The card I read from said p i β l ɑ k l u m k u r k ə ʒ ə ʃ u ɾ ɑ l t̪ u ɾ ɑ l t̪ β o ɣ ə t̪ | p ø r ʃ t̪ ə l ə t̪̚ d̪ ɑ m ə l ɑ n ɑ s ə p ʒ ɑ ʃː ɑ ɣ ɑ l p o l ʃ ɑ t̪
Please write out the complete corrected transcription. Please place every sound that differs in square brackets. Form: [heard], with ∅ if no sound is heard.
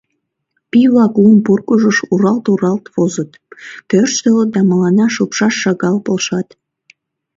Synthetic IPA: p i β l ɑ k l u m [p] u r k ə ʒ ə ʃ u ɾ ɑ l t̪ u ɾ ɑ l t̪ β o [z] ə t̪ | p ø r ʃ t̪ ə l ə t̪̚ d̪ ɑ m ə l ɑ n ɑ [ʃ] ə p [ʃ] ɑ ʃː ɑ ɣ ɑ l p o l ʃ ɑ t̪